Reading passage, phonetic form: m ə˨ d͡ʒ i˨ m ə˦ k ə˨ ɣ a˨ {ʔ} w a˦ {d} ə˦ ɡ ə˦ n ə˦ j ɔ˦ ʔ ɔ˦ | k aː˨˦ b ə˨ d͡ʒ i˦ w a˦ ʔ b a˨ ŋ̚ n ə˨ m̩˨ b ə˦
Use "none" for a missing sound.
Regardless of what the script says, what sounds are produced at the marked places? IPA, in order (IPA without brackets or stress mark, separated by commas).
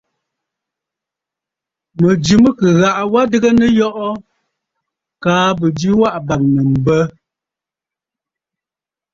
ʔ, d